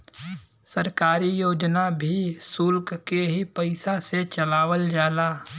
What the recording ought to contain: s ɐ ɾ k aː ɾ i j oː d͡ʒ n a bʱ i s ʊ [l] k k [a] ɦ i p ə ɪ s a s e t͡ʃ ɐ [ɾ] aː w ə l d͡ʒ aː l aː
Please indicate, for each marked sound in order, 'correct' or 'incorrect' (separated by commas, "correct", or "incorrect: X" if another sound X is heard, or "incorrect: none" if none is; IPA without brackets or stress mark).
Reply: correct, incorrect: e, incorrect: l